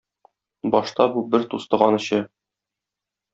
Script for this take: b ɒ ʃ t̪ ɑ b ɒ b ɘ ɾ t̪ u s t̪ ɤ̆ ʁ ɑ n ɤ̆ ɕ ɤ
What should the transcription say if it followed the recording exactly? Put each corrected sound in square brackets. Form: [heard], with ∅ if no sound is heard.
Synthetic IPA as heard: b ɒ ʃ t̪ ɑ b [u] b ɘ ɾ t̪ u s t̪ ɤ̆ ʁ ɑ n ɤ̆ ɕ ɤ

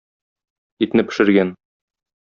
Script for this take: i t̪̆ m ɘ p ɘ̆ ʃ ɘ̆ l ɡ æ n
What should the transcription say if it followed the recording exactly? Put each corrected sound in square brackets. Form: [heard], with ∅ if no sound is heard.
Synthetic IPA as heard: i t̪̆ [n] ɘ p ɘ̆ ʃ ɘ̆ [ɾ] ɡ æ n

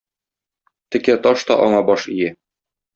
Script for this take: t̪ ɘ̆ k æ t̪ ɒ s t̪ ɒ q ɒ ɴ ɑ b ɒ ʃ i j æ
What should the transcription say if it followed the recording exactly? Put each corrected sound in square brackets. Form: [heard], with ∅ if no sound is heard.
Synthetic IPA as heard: t̪ ɘ̆ k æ t̪ ɒ [ʃ] t̪ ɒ [ʔ] ɒ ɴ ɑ b ɒ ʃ i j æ

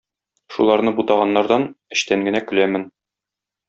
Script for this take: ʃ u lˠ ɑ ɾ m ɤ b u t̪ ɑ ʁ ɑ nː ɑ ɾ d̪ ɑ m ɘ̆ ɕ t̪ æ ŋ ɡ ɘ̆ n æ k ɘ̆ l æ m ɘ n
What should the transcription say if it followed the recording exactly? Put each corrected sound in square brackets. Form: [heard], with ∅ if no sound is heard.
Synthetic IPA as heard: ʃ u lˠ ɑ ɾ [n] ɤ b u t̪ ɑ ʁ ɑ nː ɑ ɾ d̪ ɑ [n] ɘ̆ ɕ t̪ æ ŋ ɡ ɘ̆ n æ k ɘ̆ l æ m ɘ n

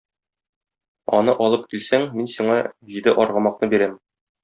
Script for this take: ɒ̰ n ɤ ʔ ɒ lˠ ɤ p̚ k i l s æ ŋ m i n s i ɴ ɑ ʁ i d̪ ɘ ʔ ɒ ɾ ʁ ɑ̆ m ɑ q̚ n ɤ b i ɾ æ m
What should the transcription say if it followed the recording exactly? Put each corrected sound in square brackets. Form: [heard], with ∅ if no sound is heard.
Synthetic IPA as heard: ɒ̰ n ɤ ʔ ɒ lˠ ɤ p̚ k i l s æ ŋ m i n s i ɴ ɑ [ʑ] i d̪ ɘ ʔ ɒ ɾ ʁ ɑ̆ m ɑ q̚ n ɤ b i ɾ æ m

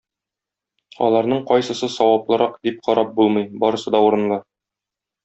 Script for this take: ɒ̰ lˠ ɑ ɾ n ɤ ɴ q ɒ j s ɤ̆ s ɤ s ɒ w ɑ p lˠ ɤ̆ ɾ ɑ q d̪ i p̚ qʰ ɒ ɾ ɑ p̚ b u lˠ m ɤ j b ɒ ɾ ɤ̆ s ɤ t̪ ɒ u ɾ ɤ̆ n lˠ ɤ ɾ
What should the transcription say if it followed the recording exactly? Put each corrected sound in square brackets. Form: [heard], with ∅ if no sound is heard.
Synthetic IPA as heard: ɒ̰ lˠ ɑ ɾ n ɤ ɴ q ɒ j s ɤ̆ s ɤ s ɒ w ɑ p lˠ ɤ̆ ɾ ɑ q d̪ i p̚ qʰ ɒ ɾ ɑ p̚ b u lˠ m ɤ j b ɒ ɾ ɤ̆ s ɤ [d̪] ɒ u ɾ ɤ̆ n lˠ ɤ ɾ

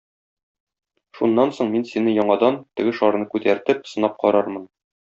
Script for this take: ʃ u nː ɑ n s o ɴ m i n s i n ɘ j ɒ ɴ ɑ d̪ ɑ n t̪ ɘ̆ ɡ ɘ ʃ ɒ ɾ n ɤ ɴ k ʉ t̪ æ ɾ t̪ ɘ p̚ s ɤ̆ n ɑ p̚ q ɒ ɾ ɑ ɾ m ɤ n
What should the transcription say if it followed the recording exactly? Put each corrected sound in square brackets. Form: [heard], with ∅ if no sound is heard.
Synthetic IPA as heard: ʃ u nː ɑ n s o ɴ m i n s i n ɘ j ɒ ɴ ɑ d̪ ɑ n t̪ ɘ̆ ɡ ɘ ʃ ɒ ɾ n ɤ [∅] k ʉ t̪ æ ɾ t̪ ɘ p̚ s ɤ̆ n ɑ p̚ q ɒ ɾ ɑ ɾ m ɤ n

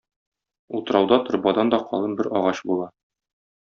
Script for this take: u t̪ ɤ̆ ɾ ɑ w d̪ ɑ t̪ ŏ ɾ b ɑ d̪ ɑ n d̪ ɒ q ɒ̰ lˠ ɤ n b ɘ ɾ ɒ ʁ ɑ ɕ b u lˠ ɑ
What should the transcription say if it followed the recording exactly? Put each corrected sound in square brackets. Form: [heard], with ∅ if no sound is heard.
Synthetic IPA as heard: u t̪ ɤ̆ ɾ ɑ w d̪ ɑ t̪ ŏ ɾ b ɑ d̪ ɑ n d̪ ɒ q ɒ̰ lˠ ɤ n b ɘ ɾ ɒ ʁ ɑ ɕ b u lˠ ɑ

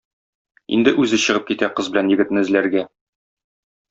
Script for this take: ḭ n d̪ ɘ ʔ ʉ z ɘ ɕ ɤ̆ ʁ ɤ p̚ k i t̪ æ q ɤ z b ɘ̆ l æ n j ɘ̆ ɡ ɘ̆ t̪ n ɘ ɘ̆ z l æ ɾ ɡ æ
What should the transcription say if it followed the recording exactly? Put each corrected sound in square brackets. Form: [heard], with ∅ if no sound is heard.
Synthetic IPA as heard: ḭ n d̪ ɘ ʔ ʉ z ɘ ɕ ɤ̆ ʁ ɤ p̚ k i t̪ æ q ɤ z b ɘ̆ l æ n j ɘ̆ ɡ ɘ̆ t̪ n ɘ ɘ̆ z l æ ɾ ɡ æ

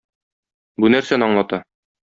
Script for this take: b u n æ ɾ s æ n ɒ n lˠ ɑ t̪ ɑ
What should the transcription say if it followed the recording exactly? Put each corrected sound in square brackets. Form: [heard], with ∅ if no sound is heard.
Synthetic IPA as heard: b u n æ ɾ s æ n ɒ [ɴ] lˠ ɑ t̪ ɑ

